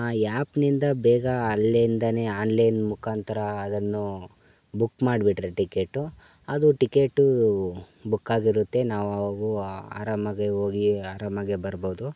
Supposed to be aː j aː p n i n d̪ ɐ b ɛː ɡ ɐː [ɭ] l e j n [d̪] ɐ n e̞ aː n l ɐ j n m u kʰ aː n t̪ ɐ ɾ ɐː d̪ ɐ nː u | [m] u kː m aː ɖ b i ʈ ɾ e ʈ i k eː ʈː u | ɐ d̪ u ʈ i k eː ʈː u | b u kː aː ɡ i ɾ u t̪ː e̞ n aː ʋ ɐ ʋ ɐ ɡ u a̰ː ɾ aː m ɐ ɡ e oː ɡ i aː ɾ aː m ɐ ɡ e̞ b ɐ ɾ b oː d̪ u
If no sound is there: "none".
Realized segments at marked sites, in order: l, d̪, b

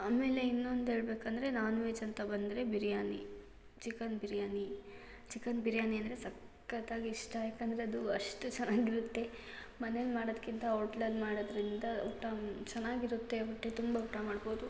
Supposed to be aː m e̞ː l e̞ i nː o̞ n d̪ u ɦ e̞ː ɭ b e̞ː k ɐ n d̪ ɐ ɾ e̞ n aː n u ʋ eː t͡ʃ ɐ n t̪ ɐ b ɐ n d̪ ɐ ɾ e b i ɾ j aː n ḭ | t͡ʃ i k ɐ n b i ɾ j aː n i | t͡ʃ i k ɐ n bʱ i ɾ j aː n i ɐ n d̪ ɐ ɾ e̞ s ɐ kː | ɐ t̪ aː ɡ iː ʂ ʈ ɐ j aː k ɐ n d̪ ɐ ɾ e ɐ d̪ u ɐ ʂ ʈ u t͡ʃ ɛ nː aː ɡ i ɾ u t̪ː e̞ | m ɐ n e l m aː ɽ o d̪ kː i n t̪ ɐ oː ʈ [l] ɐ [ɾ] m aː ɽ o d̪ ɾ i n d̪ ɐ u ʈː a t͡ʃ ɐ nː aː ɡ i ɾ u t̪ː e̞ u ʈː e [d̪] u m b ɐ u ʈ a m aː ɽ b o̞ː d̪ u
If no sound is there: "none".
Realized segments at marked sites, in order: l, l, t̪

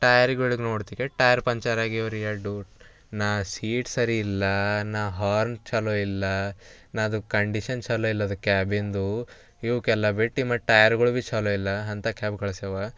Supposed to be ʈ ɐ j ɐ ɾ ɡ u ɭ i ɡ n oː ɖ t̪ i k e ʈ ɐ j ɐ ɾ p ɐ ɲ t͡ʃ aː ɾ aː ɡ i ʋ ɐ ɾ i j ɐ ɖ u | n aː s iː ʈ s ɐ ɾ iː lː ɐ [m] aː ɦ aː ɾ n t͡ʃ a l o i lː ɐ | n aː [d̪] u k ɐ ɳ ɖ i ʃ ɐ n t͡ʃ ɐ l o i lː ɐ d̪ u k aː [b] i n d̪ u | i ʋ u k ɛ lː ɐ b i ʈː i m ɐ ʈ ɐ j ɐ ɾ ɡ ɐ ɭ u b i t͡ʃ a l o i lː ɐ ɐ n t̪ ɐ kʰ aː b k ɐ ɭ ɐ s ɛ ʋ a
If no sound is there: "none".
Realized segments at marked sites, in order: n, d̪, b

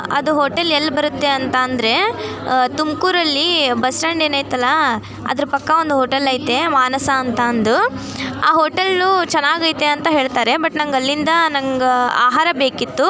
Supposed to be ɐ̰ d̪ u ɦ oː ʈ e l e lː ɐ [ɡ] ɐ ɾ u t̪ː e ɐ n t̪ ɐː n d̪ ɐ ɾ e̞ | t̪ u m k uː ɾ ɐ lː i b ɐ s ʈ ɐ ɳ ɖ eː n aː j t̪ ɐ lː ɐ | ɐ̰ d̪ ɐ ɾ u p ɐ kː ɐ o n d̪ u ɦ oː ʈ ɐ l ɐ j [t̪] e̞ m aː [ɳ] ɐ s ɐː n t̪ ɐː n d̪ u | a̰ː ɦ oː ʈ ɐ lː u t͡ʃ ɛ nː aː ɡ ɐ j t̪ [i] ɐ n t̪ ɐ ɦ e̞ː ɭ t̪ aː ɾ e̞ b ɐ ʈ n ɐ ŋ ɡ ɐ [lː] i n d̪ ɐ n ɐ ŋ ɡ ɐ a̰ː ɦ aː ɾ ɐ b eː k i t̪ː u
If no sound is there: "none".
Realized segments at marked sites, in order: b, t̪, n, e, lː

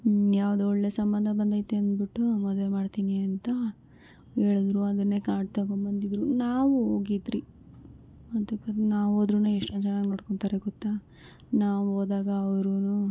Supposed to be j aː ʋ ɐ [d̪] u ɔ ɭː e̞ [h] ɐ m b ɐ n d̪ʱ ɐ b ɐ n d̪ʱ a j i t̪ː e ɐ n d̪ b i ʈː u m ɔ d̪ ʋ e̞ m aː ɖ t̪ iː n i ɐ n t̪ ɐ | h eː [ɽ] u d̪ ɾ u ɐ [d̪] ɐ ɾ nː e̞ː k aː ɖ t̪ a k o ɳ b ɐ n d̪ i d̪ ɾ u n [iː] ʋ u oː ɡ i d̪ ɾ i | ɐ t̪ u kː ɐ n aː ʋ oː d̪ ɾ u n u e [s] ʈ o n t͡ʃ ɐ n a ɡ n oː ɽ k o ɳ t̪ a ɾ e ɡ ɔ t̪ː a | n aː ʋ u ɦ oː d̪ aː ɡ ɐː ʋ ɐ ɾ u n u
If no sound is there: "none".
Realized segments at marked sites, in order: d̪, s, ɭ, d̪, aː, ʂ

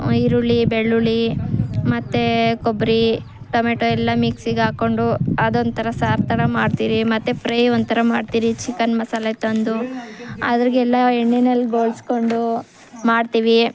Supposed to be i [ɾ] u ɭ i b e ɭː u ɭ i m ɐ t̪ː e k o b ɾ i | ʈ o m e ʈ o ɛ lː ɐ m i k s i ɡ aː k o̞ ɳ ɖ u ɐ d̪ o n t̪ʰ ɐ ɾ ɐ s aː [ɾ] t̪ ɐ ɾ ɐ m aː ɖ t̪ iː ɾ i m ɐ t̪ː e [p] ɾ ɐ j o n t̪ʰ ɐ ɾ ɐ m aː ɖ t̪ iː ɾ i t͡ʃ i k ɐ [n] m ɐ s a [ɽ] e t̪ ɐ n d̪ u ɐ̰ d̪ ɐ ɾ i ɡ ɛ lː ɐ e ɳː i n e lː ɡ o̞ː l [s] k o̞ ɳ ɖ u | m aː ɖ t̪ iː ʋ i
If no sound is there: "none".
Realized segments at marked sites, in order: ɾ, ɾ, p, n, l, s

